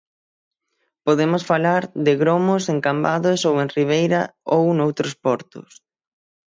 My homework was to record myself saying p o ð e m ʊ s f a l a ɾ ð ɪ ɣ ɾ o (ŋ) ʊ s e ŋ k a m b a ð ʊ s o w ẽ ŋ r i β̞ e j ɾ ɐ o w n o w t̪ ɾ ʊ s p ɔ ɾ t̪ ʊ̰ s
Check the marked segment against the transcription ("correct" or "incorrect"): incorrect